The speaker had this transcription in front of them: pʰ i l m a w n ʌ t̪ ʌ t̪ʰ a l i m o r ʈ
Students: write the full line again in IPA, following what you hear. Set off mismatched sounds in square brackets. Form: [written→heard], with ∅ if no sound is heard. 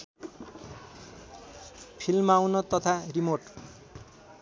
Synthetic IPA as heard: pʰ i l m a w n ʌ t̪ ʌ t̪ʰ a [l→r] i m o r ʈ